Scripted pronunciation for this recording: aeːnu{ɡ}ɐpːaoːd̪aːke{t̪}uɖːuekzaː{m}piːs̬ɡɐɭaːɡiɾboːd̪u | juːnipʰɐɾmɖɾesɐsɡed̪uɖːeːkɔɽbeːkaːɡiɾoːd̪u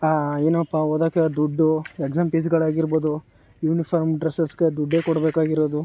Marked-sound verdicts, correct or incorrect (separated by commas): incorrect, incorrect, correct